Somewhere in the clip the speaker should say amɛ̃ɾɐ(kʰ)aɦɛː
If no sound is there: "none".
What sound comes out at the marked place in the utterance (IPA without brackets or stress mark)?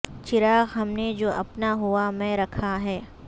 kʰ